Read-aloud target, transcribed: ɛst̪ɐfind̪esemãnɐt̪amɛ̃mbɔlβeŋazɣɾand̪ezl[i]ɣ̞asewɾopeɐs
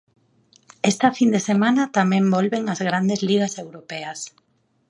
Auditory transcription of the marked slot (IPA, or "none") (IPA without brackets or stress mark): i